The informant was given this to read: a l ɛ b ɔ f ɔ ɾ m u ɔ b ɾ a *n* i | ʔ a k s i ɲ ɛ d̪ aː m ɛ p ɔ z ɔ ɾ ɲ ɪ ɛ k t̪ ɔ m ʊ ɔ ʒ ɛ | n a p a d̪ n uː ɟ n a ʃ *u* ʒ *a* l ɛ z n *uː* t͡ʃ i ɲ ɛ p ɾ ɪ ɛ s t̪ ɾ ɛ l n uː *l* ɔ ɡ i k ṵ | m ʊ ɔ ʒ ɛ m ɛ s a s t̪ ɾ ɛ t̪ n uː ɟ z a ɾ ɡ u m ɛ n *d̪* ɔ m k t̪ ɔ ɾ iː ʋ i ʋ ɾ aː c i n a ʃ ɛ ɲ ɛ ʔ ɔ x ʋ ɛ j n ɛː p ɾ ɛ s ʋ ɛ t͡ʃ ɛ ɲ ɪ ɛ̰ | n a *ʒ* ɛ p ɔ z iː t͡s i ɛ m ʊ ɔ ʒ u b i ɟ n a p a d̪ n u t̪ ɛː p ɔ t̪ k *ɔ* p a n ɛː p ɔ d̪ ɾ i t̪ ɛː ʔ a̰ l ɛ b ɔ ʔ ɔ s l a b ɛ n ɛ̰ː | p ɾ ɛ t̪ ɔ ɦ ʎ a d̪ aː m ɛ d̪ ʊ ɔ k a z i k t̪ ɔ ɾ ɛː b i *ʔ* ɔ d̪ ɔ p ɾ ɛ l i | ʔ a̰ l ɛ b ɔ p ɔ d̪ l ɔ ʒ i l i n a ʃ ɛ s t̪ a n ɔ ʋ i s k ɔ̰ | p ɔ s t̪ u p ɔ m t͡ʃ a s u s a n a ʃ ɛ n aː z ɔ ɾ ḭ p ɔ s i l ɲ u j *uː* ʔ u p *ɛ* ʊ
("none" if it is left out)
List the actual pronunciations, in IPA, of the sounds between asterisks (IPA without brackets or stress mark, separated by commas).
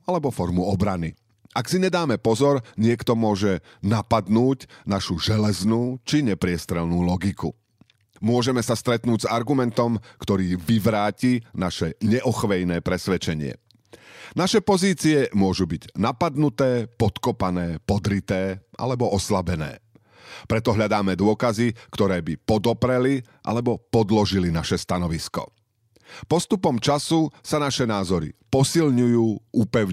n, u, ɛ, uː, l, t̪, ʃ, ɔ, p, uː, ɛ